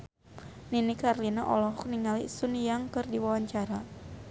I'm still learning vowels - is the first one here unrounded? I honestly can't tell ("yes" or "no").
yes